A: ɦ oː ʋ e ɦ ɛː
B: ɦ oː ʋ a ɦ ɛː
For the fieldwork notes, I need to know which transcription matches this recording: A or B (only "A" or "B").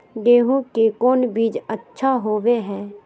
A